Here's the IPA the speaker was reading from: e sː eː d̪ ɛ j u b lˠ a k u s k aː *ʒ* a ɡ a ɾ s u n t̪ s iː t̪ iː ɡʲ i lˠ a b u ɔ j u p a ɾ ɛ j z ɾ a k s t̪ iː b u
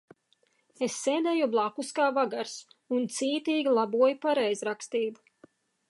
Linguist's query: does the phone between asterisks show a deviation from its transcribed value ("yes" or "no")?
yes